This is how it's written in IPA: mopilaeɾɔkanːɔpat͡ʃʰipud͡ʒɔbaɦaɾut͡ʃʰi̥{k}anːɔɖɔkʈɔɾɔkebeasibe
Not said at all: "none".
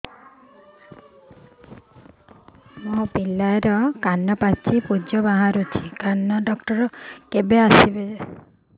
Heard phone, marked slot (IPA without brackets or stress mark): k